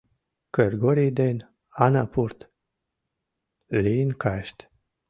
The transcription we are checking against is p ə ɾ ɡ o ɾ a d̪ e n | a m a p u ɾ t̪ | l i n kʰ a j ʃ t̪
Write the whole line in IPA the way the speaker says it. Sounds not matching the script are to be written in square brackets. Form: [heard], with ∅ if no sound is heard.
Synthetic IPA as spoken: [k] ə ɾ ɡ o ɾ [i] d̪ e n | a [n] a p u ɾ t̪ | l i n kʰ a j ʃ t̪